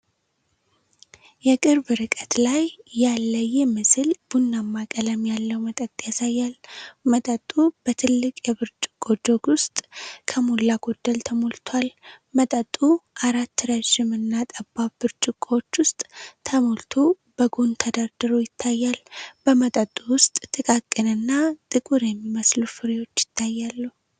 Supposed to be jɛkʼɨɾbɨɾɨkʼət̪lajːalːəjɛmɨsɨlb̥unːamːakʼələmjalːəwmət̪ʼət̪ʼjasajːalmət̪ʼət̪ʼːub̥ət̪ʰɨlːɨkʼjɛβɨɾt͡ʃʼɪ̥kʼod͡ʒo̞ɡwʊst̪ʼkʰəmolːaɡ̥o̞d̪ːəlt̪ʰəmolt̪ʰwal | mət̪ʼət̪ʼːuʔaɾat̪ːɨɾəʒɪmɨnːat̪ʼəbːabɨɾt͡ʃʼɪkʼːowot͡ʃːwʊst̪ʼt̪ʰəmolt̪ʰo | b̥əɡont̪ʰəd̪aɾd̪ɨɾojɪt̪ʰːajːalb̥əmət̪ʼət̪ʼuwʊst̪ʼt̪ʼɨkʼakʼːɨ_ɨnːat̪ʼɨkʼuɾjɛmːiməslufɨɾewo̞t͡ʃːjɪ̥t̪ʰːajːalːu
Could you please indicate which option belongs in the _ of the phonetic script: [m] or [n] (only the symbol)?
n